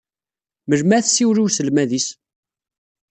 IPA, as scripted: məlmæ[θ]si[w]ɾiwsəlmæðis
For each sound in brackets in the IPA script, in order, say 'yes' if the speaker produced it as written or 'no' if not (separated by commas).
yes, yes